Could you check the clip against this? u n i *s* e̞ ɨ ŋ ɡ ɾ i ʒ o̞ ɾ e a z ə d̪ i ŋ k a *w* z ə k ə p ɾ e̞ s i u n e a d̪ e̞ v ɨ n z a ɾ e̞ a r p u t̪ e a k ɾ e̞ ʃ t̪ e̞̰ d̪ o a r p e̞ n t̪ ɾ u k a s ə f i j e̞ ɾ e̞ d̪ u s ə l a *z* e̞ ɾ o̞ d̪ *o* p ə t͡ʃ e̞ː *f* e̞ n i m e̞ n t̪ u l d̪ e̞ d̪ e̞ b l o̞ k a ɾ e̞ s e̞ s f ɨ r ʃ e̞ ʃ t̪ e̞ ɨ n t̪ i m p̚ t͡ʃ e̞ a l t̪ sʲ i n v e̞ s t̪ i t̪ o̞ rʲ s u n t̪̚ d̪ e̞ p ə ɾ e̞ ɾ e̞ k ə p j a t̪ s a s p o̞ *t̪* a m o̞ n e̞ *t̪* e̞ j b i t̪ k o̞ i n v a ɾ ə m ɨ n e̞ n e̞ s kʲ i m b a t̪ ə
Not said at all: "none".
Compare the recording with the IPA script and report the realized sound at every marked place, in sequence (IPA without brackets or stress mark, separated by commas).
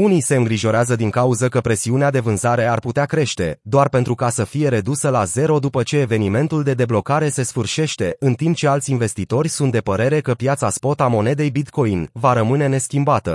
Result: s, u, z, u, v, t̪, d̪